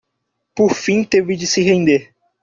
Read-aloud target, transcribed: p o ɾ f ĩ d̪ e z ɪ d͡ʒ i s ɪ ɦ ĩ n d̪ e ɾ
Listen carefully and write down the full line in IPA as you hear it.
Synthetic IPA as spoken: p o ɾ f ĩ t̪ e v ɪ d͡ʒ ɪ s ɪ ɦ ẽ n d̪ e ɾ